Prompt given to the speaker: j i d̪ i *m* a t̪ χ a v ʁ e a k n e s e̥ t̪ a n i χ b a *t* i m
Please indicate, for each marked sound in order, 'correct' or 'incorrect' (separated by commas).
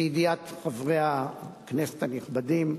incorrect, incorrect